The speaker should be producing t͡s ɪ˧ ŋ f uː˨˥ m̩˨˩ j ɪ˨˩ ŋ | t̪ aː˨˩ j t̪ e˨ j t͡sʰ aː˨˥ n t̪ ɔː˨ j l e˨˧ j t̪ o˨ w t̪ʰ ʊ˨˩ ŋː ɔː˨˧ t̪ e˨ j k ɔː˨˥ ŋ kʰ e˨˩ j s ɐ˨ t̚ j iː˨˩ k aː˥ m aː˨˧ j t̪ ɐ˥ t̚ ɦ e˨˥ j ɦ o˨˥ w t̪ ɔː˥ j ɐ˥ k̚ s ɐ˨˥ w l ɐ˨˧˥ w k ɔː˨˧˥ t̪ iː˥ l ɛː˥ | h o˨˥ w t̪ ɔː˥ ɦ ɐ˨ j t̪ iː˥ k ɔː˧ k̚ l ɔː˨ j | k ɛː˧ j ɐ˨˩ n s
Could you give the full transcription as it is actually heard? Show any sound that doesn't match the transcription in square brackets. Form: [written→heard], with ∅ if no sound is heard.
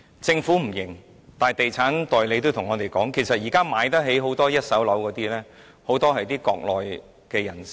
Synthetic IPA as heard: t͡s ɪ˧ ŋ f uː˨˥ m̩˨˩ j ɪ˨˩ ŋ | t̪ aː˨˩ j t̪ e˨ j t͡sʰ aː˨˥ n t̪ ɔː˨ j l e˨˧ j t̪ [o˨→o˥] w t̪ʰ ʊ˨˩ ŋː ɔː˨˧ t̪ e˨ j k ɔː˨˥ ŋ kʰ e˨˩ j s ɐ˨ t̚ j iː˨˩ k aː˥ m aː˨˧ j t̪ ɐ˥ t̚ ɦ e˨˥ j ɦ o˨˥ w t̪ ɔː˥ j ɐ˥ [k̚→t̚] s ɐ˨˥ w l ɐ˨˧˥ w k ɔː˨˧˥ t̪ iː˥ l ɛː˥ | h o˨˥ w t̪ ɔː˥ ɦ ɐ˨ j t̪ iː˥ k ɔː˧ k̚ l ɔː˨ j | k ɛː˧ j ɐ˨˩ n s